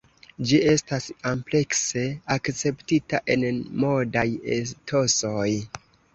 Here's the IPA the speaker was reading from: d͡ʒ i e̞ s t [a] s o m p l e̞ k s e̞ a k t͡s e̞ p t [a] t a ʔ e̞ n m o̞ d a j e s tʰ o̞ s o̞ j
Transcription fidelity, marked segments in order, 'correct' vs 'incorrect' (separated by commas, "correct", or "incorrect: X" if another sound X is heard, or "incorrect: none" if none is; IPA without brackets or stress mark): correct, incorrect: i